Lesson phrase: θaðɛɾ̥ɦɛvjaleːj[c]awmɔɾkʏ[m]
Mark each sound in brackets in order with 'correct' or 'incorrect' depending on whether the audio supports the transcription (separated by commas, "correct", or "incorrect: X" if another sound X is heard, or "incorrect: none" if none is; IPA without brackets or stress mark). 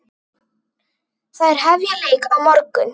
incorrect: k, incorrect: n